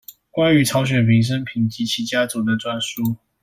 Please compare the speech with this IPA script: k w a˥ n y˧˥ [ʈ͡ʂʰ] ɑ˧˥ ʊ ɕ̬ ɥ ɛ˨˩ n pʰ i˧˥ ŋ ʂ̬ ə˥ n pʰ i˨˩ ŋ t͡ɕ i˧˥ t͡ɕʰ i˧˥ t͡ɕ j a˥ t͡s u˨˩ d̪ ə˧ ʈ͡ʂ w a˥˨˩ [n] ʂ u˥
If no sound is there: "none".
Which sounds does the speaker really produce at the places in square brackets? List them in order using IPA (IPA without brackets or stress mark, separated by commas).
ʈ͡ʂʰ, n